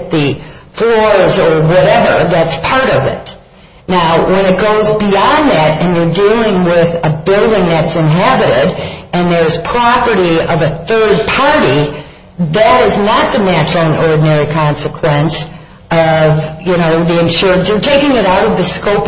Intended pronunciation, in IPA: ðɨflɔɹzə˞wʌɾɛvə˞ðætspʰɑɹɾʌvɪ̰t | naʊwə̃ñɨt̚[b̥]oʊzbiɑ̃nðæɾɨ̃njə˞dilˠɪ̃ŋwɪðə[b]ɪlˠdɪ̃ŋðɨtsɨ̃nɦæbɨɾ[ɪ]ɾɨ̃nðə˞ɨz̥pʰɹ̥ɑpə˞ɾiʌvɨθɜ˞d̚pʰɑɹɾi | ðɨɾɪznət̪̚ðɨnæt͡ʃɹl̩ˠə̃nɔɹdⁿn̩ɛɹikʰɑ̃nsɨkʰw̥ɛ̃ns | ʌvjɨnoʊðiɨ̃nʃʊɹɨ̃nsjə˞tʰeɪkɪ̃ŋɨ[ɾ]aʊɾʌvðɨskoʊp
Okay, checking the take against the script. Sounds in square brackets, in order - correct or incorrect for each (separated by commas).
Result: incorrect, correct, correct, correct